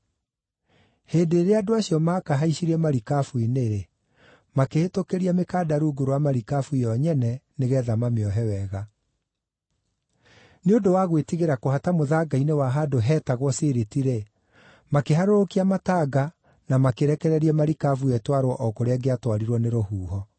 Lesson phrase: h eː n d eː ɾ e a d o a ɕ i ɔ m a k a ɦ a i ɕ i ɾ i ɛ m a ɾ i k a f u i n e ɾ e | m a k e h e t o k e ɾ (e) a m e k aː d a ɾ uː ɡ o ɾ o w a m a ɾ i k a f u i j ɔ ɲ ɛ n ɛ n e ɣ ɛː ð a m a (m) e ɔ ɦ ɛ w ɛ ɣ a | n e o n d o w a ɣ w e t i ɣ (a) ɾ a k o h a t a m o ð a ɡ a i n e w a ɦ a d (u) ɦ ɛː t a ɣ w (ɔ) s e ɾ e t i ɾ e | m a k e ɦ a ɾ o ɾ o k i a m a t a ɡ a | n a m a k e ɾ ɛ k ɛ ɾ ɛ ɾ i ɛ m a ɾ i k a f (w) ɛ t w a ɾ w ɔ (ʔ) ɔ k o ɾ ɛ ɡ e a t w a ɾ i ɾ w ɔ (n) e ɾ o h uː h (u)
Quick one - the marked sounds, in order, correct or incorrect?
incorrect: i, correct, incorrect: e, incorrect: o, correct, incorrect: u, correct, correct, incorrect: ɔ

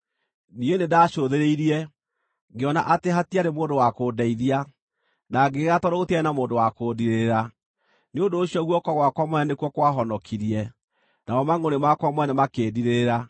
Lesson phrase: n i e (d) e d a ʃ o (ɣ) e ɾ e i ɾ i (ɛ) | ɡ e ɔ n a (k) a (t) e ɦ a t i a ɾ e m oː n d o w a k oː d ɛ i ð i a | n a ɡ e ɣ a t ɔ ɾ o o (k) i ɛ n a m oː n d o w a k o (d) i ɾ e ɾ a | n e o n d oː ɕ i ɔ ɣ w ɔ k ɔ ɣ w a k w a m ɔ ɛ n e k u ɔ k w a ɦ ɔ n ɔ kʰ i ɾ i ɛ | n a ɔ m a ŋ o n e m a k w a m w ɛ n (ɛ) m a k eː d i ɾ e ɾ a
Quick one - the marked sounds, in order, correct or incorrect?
incorrect: n, incorrect: ð, correct, incorrect: ʔ, correct, incorrect: t, correct, correct

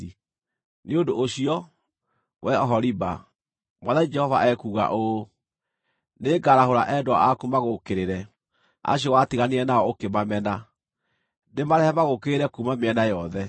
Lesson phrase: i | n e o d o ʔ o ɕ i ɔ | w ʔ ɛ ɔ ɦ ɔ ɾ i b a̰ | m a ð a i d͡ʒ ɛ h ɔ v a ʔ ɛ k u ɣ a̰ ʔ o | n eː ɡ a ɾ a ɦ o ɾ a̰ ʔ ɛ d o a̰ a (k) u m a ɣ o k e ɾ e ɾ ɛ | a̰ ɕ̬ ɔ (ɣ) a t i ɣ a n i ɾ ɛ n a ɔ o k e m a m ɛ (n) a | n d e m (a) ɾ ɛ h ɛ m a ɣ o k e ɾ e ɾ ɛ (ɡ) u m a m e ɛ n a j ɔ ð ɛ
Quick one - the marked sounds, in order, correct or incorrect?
correct, incorrect: w, correct, correct, incorrect: k

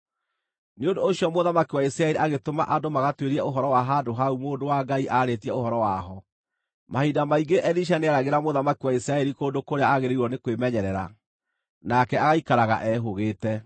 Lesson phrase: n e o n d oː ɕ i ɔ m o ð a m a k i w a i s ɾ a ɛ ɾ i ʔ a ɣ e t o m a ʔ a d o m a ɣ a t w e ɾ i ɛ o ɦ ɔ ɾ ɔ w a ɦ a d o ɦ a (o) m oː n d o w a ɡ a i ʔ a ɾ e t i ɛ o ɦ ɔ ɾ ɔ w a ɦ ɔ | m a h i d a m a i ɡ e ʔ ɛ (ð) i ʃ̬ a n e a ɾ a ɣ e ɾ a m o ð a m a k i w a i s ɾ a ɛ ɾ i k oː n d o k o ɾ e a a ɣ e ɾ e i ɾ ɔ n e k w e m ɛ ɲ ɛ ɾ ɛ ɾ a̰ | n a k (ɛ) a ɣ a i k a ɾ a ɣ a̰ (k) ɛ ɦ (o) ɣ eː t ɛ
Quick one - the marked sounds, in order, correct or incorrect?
incorrect: u, correct, correct, incorrect: ʔ, correct

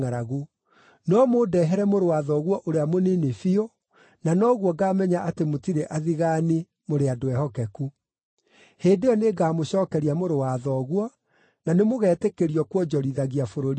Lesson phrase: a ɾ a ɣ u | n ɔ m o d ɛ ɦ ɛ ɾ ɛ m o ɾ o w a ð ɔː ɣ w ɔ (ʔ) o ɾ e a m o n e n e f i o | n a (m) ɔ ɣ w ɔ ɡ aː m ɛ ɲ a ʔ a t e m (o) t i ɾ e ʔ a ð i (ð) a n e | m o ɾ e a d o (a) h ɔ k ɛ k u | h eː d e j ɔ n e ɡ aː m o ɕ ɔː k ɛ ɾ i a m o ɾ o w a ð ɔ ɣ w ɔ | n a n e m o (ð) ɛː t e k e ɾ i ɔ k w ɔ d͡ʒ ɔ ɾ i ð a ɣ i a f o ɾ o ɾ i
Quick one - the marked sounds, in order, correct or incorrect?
correct, incorrect: n, correct, incorrect: ɣ, incorrect: ɛ, incorrect: ɣ

